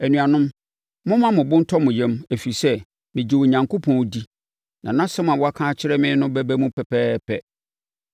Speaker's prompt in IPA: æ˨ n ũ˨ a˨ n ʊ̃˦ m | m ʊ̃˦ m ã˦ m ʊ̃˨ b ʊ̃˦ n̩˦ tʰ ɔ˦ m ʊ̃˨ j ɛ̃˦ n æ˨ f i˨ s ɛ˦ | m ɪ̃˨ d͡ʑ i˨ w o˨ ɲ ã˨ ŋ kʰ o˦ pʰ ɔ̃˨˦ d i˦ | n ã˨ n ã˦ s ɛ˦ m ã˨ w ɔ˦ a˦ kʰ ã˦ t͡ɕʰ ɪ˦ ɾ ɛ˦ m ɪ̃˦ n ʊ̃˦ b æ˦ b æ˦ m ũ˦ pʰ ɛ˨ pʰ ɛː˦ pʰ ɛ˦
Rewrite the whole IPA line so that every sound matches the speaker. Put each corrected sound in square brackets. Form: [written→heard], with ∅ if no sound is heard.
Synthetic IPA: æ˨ n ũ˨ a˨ n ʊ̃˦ m | m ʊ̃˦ m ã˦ m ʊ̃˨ b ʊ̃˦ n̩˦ tʰ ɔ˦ m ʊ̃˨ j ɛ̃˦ [n→m] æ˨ f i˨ s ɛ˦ | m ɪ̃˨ d͡ʑ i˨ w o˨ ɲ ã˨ ŋ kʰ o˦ pʰ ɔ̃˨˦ d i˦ | n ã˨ n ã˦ s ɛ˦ m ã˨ w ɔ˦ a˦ kʰ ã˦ t͡ɕʰ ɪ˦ ɾ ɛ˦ m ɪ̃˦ n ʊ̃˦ b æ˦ b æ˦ m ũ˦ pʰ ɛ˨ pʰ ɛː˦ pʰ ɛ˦